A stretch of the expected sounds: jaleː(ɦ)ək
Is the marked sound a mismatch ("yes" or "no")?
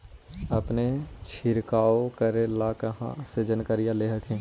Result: no